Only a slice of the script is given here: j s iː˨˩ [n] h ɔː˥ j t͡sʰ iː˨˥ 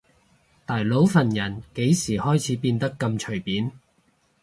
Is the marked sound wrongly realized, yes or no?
yes